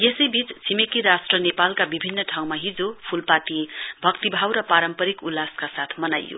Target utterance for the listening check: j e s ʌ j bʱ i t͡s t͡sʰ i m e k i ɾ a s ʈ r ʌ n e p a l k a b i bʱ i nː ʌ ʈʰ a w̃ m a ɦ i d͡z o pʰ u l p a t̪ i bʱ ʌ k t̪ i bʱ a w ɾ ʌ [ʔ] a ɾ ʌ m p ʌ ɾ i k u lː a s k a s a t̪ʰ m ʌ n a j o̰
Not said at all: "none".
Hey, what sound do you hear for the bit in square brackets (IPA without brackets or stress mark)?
p